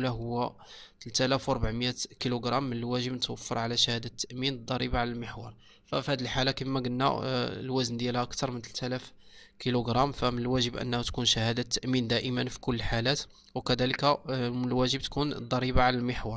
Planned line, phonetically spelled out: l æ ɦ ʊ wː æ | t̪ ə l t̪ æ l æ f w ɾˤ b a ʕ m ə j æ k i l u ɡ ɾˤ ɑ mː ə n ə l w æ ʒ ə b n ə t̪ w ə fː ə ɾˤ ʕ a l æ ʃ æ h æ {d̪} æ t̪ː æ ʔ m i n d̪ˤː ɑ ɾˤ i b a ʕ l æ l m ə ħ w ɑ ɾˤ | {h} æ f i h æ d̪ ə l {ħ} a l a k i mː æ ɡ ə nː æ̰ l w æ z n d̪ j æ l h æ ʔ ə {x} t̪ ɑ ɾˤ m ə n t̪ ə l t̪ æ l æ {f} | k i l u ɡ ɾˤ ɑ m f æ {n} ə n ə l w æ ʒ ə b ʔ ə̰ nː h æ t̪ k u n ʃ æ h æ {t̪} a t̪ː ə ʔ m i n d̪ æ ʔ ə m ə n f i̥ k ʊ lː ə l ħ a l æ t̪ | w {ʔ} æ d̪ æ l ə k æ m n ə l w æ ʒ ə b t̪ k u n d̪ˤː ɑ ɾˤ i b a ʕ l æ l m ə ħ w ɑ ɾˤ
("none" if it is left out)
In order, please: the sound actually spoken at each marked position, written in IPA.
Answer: d̪, f, ħ, k, f, m, d̪, k

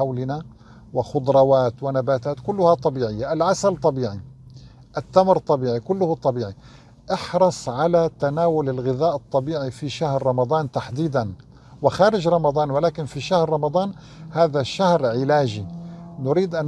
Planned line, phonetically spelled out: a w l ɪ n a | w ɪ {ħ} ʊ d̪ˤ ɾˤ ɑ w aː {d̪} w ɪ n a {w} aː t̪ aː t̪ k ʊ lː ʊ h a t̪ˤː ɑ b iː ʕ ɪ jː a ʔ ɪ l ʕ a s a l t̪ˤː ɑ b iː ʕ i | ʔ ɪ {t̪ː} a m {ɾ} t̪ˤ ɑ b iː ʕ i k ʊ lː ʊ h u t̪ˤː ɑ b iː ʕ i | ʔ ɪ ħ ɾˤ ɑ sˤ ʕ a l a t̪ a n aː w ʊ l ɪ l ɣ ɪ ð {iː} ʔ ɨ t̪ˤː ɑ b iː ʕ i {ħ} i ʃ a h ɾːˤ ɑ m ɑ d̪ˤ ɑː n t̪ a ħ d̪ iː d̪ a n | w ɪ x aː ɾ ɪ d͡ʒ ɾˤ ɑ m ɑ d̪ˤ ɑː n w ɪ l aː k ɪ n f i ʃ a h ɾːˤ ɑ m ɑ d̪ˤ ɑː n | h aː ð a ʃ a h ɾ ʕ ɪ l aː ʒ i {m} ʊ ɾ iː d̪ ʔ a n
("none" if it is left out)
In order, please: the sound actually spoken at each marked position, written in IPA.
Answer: x, t̪, b, t̪ː, ɾ, aː, f, n

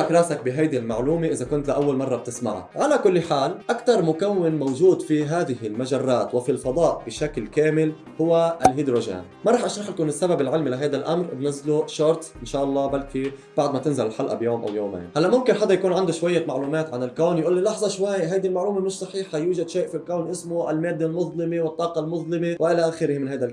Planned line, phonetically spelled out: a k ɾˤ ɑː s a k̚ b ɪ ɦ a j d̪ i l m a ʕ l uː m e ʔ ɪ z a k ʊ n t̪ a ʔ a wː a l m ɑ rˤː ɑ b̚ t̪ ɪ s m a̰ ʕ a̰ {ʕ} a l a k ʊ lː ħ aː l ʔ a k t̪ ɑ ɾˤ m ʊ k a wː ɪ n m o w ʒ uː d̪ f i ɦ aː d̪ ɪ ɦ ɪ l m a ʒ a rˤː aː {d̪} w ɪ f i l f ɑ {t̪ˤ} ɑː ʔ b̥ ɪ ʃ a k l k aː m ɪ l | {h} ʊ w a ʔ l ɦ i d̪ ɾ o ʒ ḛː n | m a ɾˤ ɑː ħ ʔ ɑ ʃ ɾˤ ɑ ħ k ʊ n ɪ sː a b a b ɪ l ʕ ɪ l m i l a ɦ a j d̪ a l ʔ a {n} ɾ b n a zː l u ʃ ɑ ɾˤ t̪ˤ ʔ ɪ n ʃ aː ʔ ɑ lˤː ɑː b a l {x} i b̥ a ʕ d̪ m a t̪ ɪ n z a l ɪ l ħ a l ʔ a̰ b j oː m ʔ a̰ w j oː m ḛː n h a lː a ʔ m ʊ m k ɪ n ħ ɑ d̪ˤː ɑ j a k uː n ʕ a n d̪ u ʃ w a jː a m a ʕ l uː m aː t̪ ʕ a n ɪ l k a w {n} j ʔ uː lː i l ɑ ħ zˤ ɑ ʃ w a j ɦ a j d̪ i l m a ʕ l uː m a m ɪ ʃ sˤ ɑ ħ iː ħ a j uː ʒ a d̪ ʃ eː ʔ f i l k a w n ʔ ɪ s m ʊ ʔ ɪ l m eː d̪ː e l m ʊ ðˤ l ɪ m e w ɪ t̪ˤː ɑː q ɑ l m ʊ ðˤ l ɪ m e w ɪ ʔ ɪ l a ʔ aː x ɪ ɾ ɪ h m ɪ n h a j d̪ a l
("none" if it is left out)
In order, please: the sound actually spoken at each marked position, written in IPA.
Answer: ʕ, t̪, d̪ˤ, h, m, k, n

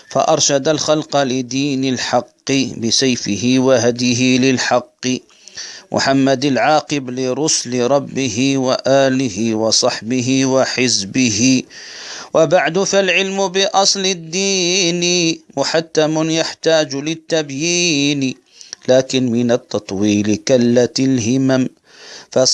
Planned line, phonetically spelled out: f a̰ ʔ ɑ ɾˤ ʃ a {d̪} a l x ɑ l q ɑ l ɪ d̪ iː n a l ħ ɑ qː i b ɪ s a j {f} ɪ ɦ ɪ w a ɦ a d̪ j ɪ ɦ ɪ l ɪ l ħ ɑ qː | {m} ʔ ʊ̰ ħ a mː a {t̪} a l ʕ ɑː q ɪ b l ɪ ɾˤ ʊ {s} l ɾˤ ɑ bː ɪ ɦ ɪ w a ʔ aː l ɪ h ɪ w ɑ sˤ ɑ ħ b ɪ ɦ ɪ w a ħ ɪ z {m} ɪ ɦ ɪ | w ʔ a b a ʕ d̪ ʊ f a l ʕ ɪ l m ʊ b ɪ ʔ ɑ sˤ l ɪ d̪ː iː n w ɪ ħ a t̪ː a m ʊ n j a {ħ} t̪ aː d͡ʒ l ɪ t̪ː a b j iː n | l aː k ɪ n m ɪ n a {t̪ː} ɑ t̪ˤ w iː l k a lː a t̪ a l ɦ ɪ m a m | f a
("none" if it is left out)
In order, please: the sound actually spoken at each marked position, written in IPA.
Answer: d̪, f, m, d̪, s, b, ħ, t̪ː

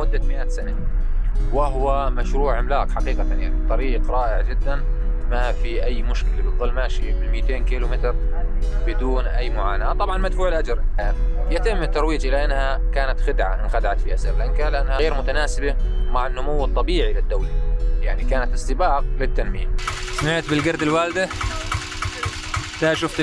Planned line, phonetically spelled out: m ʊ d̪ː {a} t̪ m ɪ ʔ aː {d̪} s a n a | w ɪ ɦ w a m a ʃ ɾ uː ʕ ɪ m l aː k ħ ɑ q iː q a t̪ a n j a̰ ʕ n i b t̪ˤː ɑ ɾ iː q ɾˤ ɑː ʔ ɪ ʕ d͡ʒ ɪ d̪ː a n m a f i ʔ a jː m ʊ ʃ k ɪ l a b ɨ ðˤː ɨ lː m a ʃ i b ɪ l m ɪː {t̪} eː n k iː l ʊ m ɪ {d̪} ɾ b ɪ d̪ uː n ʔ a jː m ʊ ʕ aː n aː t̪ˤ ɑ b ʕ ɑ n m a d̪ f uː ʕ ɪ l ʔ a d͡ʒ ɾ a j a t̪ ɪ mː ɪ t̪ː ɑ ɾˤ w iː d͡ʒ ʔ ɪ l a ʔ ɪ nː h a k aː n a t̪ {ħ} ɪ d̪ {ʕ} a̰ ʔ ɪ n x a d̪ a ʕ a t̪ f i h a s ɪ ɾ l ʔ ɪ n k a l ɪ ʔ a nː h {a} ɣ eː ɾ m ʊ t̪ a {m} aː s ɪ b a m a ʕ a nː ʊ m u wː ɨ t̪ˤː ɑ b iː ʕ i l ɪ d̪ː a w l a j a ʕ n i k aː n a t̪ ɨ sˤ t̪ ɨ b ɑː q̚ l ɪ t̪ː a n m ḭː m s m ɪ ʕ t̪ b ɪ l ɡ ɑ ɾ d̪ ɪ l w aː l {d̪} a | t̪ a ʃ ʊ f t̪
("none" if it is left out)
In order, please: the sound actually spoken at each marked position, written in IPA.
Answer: a, t̪, t̪, t̪, x, ʕ, a, n, d̪

